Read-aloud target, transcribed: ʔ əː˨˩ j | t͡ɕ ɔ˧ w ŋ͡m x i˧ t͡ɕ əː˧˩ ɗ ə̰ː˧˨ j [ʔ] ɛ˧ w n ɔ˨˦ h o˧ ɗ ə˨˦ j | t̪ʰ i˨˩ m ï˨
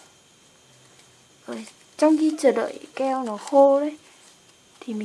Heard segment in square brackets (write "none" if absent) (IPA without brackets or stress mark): k